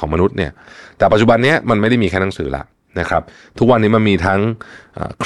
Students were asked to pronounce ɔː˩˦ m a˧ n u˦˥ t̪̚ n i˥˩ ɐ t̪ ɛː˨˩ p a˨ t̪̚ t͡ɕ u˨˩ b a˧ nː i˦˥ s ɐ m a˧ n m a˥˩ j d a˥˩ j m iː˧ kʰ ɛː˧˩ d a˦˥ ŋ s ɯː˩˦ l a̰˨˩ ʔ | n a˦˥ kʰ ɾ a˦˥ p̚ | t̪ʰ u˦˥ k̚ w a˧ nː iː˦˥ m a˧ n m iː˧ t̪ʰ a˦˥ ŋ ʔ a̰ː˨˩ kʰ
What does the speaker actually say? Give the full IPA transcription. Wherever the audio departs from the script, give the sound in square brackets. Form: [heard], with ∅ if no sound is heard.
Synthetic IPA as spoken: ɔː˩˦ m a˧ n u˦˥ t̪̚ n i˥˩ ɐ t̪ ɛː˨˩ p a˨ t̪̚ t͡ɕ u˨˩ b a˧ nː i˦˥ [∅] ɐ m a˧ n m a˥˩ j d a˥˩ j m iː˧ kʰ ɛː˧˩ [n] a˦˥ ŋ s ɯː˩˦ l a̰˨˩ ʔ | n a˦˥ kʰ ɾ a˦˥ p̚ | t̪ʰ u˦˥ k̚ w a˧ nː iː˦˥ m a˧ n m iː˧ t̪ʰ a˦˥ ŋ ʔ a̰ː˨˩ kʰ